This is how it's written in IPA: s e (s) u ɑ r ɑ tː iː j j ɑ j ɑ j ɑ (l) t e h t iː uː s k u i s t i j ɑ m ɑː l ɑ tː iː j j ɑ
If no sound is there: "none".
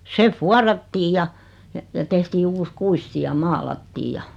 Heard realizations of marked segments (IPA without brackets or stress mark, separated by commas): f, none